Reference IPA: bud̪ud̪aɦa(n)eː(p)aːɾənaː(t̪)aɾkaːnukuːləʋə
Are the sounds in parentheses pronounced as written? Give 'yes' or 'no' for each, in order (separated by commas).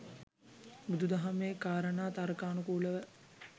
no, no, yes